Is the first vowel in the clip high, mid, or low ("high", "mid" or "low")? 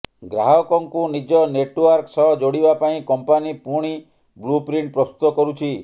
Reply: low